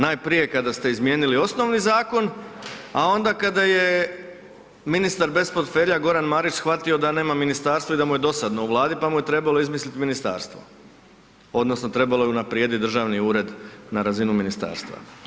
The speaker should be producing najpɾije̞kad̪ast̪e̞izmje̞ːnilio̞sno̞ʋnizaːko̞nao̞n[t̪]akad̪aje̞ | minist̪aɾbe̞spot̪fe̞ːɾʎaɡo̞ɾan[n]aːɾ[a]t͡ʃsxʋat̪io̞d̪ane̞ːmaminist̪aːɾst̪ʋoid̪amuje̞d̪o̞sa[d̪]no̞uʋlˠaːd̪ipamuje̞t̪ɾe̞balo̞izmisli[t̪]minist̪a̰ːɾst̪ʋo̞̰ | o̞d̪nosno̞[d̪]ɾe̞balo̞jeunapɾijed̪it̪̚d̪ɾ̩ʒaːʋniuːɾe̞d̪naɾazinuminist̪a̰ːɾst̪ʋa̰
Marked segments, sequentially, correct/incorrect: incorrect: d̪, incorrect: m, incorrect: i, correct, correct, incorrect: t̪

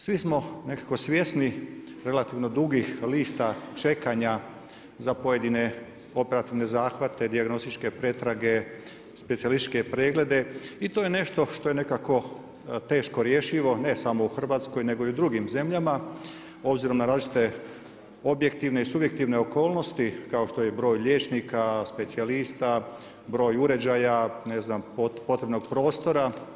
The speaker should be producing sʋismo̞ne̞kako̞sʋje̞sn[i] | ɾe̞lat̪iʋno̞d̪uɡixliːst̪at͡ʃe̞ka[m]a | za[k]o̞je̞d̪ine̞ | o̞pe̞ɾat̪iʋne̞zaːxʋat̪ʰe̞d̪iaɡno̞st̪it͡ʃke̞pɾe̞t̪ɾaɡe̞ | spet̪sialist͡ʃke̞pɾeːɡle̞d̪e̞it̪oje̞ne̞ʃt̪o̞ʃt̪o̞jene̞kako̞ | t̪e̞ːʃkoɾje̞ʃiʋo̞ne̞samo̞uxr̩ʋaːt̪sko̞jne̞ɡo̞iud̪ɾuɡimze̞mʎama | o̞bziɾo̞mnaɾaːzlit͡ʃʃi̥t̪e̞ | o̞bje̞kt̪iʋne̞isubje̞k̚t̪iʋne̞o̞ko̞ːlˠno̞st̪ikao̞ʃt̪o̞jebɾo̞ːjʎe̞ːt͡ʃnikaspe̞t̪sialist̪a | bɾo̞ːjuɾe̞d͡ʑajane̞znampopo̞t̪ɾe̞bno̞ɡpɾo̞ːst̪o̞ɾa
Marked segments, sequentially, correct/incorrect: correct, incorrect: ɲ, incorrect: p

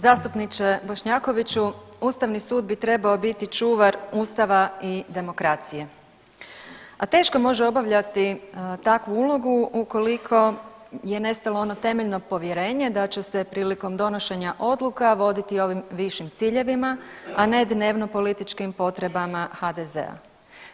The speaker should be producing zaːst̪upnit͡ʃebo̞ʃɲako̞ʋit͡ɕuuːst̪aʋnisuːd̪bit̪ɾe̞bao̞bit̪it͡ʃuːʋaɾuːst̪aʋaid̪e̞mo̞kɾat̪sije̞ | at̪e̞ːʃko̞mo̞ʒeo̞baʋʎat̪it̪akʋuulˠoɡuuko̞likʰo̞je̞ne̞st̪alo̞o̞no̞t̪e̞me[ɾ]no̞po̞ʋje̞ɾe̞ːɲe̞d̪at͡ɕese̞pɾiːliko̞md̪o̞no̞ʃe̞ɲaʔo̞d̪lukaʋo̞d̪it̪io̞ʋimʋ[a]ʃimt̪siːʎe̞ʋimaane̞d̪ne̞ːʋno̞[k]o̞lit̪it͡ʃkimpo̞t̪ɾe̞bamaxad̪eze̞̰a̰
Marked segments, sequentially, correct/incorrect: incorrect: ʎ, incorrect: i, incorrect: p

